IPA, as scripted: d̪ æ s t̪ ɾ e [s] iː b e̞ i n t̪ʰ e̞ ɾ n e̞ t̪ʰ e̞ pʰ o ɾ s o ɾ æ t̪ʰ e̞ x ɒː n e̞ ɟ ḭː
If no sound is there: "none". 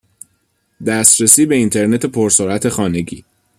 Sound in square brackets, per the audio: s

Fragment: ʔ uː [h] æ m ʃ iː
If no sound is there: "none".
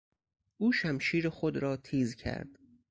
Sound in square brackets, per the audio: ʃ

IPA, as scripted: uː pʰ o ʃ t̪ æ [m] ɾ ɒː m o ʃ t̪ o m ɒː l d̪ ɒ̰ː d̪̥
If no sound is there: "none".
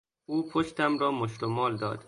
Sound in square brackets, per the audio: m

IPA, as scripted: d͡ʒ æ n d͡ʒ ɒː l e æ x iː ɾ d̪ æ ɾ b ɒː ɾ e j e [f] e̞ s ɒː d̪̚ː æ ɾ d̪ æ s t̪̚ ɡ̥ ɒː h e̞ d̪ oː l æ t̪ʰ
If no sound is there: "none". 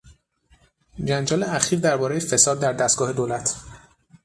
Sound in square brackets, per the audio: f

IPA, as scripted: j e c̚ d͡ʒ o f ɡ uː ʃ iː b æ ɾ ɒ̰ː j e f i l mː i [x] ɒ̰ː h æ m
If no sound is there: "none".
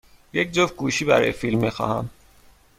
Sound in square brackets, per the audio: x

